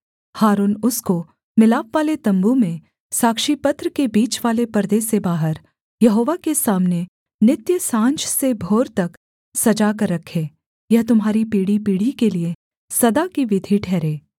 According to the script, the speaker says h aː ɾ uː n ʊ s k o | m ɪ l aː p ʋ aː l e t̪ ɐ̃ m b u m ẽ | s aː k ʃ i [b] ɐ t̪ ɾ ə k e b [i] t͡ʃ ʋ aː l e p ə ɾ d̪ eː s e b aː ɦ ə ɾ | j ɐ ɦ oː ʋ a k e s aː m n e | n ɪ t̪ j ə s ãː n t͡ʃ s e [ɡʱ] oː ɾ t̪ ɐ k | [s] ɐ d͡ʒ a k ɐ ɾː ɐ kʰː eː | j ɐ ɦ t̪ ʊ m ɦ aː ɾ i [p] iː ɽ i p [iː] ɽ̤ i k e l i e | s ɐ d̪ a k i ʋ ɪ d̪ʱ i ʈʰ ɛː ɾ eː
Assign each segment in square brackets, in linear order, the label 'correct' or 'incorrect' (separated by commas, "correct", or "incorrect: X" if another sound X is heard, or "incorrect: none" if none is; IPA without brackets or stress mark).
incorrect: p, incorrect: iː, incorrect: bʱ, correct, correct, correct